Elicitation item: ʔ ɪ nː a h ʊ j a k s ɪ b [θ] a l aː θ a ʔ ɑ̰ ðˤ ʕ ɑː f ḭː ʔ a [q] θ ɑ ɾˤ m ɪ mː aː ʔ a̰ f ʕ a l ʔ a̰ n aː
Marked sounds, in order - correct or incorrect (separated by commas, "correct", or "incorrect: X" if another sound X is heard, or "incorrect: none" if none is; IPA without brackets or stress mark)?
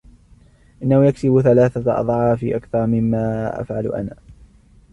correct, incorrect: k